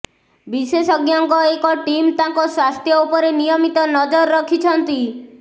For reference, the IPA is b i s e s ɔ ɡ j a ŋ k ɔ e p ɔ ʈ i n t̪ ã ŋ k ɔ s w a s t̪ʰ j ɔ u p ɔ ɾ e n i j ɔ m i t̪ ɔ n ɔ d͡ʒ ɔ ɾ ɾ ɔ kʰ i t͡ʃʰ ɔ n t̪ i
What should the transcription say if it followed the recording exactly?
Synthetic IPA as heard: b i s e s ɔ ɡ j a ŋ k ɔ e k ɔ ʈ i m t̪ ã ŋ k ɔ s w a s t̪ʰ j ɔ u p ɔ ɾ e n i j ɔ m i t̪ ɔ n ɔ d͡ʒ ɔ ɾ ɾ ɔ kʰ i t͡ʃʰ ɔ n t̪ i